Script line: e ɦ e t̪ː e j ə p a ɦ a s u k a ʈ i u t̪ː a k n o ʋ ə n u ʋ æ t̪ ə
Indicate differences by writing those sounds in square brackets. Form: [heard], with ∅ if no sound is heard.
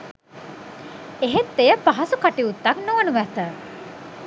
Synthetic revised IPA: e ɦ e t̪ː e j ə p a ɦ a s u k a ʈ i u t̪ː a k n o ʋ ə n u ʋ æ t̪ ə